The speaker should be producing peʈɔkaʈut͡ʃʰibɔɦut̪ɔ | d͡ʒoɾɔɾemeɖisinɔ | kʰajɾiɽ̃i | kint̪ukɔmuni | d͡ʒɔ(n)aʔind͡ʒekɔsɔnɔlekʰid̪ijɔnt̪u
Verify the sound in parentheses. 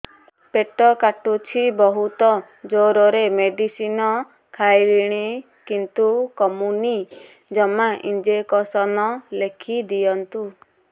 incorrect: m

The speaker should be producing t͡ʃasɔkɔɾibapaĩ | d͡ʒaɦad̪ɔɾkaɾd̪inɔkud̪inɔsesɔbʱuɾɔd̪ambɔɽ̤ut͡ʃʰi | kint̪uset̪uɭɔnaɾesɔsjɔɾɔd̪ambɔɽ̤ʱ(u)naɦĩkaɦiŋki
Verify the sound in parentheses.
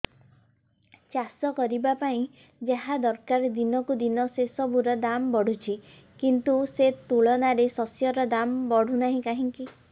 correct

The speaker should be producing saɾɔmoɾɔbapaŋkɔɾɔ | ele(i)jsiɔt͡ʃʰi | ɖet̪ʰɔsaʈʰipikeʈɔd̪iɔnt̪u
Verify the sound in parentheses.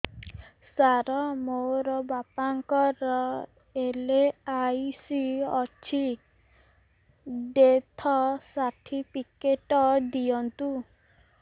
incorrect: a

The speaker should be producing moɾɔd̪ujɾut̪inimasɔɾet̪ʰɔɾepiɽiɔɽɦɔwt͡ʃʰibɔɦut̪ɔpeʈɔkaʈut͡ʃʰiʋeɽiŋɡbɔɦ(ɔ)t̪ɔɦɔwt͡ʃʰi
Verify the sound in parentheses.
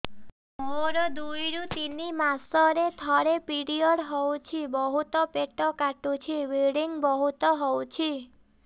incorrect: u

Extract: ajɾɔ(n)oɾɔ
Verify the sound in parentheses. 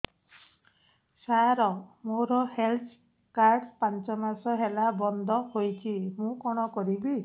incorrect: m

